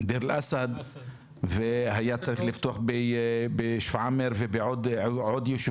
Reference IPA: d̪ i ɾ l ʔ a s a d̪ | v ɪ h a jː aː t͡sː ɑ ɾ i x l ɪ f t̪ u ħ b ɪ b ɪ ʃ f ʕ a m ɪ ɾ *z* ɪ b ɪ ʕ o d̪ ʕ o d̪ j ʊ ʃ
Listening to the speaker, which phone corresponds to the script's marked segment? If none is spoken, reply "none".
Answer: v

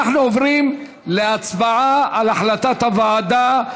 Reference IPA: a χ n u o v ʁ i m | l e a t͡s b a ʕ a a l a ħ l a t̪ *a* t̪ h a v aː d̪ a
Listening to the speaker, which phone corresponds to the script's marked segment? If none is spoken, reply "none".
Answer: a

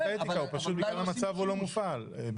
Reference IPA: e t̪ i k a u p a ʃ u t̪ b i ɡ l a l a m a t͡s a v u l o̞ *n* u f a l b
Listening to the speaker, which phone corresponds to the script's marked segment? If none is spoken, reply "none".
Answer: m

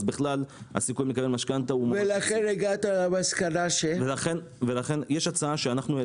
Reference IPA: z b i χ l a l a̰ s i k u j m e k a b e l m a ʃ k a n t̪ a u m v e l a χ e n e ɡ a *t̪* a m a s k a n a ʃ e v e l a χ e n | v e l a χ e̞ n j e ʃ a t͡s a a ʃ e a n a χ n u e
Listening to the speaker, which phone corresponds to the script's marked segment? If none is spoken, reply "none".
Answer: t̪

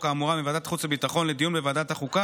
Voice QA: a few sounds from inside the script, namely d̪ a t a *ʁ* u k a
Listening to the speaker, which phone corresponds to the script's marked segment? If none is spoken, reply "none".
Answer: χ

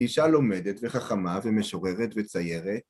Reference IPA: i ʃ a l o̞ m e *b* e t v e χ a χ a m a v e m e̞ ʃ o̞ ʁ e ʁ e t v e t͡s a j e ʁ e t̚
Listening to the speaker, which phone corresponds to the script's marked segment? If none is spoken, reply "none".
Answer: d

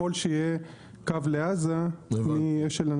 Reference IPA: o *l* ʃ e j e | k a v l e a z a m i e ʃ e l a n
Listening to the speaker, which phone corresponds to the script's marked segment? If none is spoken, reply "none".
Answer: l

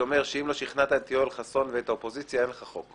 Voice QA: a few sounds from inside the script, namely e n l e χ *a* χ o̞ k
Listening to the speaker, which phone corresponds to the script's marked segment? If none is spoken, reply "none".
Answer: a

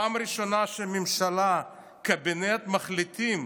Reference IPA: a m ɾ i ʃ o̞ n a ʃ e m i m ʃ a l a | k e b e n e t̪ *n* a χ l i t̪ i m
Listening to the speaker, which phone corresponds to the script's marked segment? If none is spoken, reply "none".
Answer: m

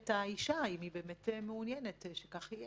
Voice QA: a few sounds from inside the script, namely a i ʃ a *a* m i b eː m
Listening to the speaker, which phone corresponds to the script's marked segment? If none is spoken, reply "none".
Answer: i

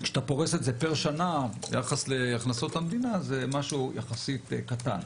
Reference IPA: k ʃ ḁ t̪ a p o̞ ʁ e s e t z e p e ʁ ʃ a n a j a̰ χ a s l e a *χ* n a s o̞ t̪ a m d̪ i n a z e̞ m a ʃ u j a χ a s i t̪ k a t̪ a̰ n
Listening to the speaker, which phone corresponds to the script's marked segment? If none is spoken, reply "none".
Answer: χ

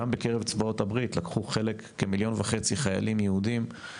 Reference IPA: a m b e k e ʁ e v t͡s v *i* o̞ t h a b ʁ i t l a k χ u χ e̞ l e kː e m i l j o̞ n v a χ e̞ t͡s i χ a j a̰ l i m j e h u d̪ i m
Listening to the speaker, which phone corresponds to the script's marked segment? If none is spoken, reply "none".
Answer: a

